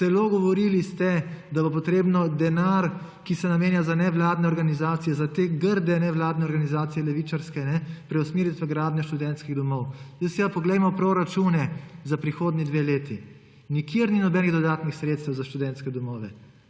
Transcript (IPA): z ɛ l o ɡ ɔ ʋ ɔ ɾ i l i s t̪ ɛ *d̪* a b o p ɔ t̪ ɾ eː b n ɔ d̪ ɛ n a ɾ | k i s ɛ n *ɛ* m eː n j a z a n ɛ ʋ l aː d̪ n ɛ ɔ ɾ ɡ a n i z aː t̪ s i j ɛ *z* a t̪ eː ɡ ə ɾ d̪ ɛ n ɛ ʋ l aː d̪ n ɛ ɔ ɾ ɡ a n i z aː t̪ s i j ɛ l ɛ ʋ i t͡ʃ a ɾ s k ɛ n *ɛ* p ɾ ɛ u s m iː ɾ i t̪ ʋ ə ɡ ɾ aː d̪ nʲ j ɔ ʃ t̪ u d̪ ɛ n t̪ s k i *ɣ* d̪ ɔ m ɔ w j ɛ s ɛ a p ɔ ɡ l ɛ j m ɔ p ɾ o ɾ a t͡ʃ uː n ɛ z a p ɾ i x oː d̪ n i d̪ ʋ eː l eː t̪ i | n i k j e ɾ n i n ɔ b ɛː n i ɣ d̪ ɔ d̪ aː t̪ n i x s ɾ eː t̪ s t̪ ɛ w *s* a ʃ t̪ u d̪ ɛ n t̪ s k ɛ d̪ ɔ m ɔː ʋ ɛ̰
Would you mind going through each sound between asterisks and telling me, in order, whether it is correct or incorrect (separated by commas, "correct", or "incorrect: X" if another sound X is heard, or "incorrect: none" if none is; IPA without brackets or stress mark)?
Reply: correct, incorrect: a, correct, correct, correct, incorrect: z